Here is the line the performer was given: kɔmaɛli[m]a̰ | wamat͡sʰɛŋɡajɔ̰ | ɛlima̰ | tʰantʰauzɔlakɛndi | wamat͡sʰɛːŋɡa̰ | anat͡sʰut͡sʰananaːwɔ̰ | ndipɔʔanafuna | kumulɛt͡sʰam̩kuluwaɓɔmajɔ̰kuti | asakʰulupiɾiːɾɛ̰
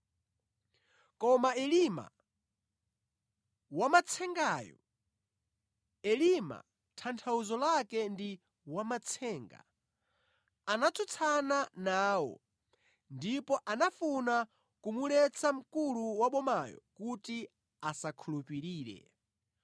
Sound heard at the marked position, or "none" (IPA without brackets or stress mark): m